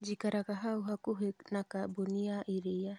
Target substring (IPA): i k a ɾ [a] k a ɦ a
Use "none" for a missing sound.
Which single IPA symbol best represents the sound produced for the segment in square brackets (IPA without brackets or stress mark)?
a